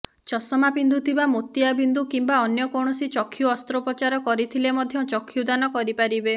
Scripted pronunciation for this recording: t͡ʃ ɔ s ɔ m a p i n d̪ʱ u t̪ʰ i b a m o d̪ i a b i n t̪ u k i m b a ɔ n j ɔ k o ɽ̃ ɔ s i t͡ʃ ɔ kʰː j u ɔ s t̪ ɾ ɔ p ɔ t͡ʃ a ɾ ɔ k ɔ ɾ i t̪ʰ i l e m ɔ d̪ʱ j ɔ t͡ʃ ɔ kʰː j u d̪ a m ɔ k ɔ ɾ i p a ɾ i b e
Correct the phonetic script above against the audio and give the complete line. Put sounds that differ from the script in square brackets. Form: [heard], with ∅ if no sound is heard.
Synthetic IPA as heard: t͡ʃ ɔ s ɔ m a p i n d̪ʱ u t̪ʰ i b a m o [t̪] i a b i n [d̪] u k i m b a ɔ n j ɔ k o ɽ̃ ɔ s i t͡ʃ ɔ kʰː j u ɔ s t̪ ɾ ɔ p ɔ t͡ʃ a ɾ ɔ k ɔ ɾ i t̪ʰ i l e m ɔ d̪ʱ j ɔ t͡ʃ ɔ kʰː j u d̪ a [n] ɔ k ɔ ɾ i p a ɾ i b e

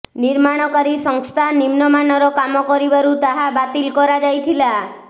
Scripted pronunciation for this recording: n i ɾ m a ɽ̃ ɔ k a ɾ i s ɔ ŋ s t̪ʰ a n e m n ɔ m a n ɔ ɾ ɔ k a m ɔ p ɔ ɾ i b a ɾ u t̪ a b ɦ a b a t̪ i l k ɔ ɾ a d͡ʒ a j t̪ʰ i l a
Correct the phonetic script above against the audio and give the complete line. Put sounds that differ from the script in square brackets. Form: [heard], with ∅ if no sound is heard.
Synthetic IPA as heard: n i ɾ m a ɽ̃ ɔ k a ɾ i s ɔ ŋ s t̪ʰ a n [i] m n ɔ m a n ɔ ɾ ɔ k a m ɔ [k] ɔ ɾ i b a ɾ u t̪ a [∅] ɦ a b a t̪ i l k ɔ ɾ a d͡ʒ a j t̪ʰ i l a

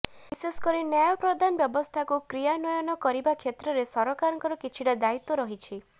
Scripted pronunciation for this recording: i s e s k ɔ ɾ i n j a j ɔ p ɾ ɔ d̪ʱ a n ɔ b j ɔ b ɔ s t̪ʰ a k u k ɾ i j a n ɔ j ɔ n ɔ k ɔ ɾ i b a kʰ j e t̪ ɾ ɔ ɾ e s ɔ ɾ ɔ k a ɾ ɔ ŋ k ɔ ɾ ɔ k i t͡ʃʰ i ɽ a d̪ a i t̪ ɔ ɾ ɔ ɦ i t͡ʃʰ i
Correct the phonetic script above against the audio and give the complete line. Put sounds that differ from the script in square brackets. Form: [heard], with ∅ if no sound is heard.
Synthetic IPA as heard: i s e s k ɔ ɾ i n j a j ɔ p ɾ ɔ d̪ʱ a n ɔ b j ɔ b ɔ s t̪ʰ a k u k ɾ i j a n ɔ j ɔ n ɔ k ɔ ɾ i b a kʰ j e t̪ ɾ ɔ ɾ e s ɔ ɾ ɔ k a ɾ ɔ ŋ k ɔ ɾ ɔ k i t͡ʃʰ i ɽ a d̪ a i t̪ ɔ ɾ ɔ ɦ i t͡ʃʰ i

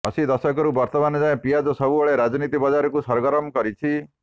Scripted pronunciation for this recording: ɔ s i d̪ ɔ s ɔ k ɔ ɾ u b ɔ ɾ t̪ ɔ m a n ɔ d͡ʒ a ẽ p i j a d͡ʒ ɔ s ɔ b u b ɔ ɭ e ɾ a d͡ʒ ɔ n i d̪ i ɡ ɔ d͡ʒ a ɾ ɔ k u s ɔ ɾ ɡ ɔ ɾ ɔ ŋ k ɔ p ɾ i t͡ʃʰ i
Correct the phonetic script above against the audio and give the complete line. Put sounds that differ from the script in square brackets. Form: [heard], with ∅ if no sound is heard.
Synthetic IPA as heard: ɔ s i d̪ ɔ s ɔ k ɔ ɾ u b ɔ ɾ t̪ ɔ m a n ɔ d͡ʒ a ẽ p i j a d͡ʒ ɔ s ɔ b u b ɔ ɭ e ɾ a d͡ʒ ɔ n i [t̪] i [b] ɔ d͡ʒ a ɾ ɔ k u s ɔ ɾ ɡ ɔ ɾ ɔ [m] k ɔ [∅] ɾ i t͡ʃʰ i

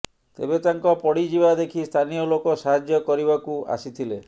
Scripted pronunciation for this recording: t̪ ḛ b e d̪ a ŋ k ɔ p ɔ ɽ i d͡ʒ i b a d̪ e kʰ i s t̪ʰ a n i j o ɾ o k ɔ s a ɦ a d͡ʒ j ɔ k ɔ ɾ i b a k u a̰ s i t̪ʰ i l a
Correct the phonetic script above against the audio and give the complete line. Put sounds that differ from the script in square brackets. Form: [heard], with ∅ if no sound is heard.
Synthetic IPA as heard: t̪ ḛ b e [t̪] a ŋ k ɔ p ɔ ɽ i d͡ʒ i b a d̪ e kʰ i s t̪ʰ a n i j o [l] o k ɔ s a ɦ a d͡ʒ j ɔ k ɔ ɾ i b a k u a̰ s i t̪ʰ i l [e]

